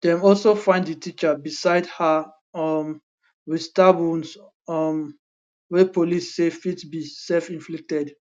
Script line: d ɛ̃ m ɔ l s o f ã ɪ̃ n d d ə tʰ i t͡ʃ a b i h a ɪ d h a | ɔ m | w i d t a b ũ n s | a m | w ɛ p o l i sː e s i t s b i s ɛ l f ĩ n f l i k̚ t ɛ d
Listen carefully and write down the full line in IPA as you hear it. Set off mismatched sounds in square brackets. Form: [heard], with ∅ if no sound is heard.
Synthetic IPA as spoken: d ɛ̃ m ɔ l s o f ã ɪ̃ n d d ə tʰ i t͡ʃ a b i [s] a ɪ d h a | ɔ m | w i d t a b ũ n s | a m | w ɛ p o l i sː e [f] i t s b i s ɛ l f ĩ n f l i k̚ t ɛ d